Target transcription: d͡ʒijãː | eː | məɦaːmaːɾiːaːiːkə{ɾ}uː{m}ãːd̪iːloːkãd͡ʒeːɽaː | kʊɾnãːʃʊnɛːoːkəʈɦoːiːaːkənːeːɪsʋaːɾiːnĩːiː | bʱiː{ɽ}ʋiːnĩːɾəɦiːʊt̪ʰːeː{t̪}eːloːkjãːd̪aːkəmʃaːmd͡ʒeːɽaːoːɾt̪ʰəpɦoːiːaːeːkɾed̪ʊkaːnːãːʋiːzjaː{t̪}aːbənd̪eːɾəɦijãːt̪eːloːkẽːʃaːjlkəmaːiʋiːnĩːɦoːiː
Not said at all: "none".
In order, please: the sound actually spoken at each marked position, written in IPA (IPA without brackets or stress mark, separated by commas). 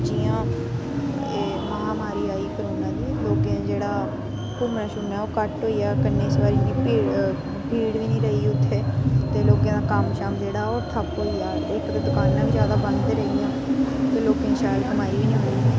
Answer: ɾ, n, ɽ, t̪, d̪